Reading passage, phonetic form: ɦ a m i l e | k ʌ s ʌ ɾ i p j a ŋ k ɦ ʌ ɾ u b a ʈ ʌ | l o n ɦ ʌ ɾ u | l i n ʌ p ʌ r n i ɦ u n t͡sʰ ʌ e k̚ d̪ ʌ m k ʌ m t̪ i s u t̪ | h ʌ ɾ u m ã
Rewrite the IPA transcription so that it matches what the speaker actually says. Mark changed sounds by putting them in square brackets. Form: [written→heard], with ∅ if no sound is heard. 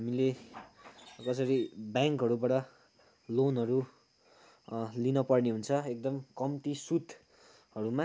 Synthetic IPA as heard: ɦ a m i l e | k ʌ s ʌ ɾ i [p→b] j a ŋ k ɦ ʌ ɾ u b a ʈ ʌ | l o n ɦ ʌ ɾ u | l i n ʌ p ʌ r n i ɦ u n t͡sʰ ʌ e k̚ d̪ ʌ m k ʌ m t̪ i s u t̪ | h ʌ ɾ u m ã